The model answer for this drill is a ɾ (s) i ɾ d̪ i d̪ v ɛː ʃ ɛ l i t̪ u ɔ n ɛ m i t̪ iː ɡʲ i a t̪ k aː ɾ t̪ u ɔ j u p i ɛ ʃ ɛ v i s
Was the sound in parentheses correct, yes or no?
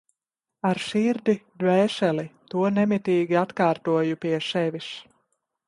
no